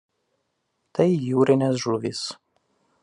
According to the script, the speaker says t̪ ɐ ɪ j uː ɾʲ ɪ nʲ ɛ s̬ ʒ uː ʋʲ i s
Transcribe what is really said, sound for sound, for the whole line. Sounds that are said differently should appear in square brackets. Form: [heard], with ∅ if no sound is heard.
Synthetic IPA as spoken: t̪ ɐ ɪ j uː ɾʲ ɪ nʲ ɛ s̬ ʒ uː ʋʲ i s